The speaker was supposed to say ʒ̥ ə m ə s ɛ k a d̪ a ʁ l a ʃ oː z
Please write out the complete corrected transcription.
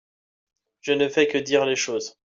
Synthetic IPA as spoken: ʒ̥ ə n ə f ɛ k ə d̪ i ʁ l e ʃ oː z